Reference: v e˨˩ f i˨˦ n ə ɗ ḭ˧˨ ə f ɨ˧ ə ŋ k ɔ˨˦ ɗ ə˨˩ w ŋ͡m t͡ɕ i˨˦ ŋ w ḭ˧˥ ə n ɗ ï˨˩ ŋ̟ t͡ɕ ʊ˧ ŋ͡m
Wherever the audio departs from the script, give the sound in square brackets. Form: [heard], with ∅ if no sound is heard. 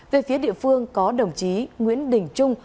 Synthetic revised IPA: v e˨˩ f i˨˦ [∅] ə ɗ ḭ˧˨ ə f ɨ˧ ə ŋ k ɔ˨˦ ɗ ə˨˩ w ŋ͡m t͡ɕ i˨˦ ŋ w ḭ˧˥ ə n ɗ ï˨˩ ŋ̟ t͡ɕ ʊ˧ ŋ͡m